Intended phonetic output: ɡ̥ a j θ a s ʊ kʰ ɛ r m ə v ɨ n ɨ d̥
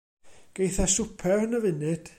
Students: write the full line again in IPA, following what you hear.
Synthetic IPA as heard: ɡ̥ e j θ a s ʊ pʰ ɛ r n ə v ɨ n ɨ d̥